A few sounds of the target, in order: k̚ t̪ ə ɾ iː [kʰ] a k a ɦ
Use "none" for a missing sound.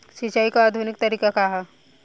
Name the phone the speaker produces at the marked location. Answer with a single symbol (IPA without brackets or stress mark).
k